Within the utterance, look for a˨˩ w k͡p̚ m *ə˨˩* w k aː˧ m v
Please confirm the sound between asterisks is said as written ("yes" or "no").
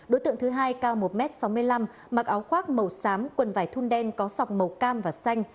yes